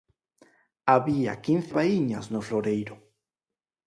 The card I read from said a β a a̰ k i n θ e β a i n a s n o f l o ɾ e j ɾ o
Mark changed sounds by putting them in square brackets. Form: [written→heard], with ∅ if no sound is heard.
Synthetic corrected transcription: a β [a→i] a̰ k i n θ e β a i [n→ɲ] a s n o f l o ɾ e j ɾ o